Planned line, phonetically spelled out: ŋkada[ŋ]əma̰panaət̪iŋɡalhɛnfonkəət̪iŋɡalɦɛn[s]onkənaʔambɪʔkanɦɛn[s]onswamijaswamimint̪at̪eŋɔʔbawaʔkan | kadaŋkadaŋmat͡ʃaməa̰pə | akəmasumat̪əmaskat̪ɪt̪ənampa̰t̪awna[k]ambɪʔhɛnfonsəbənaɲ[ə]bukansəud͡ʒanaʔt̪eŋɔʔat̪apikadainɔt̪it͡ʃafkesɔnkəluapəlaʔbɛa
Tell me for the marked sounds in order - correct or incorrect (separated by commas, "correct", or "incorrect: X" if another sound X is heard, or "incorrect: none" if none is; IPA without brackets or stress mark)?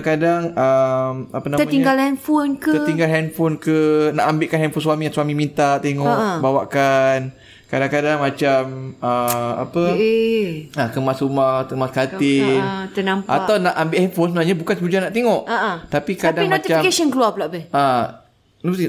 correct, incorrect: f, incorrect: f, incorrect: ʔ, incorrect: a